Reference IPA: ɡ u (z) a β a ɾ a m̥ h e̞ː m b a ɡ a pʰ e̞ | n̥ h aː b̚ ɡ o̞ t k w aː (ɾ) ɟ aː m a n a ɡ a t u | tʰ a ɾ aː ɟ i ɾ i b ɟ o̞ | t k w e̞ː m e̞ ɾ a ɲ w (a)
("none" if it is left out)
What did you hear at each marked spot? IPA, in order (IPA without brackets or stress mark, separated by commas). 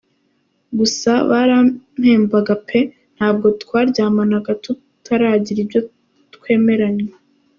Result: s, ɾ, e